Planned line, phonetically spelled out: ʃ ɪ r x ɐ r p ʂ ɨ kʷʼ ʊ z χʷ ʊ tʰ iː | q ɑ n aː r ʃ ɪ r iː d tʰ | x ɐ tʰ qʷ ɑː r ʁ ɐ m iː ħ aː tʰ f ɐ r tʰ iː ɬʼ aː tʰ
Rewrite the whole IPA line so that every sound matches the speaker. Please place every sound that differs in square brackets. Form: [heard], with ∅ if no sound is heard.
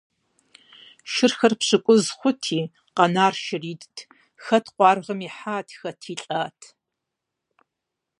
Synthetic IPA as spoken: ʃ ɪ r x ɐ r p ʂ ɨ kʷʼ ʊ z χʷ ʊ tʰ iː | q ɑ n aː r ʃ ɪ r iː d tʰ | x ɐ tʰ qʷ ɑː r ʁ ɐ m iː ħ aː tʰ [x] ɐ [∅] tʰ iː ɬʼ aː tʰ